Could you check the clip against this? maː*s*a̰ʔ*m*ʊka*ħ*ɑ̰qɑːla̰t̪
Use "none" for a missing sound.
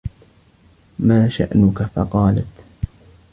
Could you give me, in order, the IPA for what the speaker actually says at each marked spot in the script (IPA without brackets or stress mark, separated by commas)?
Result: ʃ, n, f